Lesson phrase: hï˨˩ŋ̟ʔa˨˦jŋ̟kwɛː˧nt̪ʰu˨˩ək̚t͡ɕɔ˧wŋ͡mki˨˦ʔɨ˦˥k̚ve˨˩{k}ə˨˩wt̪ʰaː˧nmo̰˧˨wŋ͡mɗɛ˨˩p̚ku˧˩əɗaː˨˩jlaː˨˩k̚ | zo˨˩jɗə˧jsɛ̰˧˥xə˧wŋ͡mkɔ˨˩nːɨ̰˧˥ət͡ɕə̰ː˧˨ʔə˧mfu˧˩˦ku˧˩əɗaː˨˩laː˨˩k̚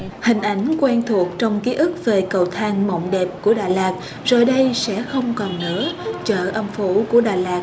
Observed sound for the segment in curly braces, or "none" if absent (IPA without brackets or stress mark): k